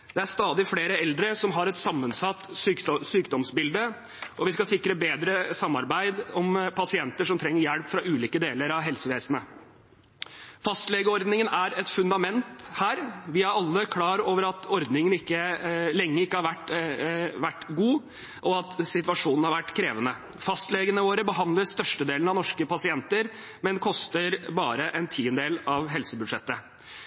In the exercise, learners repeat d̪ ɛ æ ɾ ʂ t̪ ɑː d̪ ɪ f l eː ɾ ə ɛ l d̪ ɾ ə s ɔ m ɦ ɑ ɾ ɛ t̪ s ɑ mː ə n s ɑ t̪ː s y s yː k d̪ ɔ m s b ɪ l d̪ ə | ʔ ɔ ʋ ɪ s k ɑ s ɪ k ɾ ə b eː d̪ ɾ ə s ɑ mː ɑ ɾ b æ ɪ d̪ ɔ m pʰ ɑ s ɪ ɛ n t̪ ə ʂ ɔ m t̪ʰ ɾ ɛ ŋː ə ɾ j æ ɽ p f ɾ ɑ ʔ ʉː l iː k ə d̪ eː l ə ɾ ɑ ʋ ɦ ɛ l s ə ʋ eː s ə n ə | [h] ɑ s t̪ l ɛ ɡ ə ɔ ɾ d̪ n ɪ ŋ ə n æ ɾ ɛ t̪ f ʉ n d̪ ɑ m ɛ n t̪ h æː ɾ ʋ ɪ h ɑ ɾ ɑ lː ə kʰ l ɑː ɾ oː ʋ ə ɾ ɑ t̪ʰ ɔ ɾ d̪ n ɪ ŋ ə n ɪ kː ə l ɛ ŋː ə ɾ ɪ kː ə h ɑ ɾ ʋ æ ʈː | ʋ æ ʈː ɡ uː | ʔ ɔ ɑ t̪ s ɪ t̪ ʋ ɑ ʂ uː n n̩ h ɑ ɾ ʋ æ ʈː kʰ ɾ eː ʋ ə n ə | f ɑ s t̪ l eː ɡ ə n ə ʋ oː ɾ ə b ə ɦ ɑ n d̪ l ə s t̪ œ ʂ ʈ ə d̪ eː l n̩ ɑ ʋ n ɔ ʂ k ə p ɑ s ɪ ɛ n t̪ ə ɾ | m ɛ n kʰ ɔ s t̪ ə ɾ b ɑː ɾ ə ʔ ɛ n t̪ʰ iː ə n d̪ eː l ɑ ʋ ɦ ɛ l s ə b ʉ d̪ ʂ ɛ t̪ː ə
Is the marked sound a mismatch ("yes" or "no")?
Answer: yes